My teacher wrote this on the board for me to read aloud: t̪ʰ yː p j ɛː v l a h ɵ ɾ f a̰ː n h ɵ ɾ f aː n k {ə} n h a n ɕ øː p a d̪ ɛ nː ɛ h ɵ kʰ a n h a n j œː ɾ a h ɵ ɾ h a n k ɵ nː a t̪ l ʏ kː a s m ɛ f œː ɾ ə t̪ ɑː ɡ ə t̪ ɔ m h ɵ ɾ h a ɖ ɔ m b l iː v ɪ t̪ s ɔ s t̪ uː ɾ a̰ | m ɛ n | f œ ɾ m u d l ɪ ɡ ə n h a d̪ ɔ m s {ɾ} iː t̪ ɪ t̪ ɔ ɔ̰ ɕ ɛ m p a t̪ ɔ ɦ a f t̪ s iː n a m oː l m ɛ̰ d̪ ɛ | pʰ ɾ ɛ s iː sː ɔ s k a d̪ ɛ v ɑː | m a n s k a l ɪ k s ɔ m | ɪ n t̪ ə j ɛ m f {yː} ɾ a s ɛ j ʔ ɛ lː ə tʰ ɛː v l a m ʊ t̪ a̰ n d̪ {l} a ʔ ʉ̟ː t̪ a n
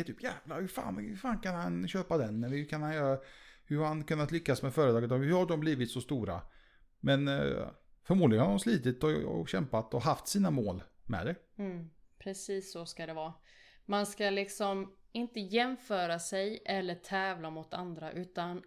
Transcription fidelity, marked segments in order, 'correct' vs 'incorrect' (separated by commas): incorrect, incorrect, incorrect, incorrect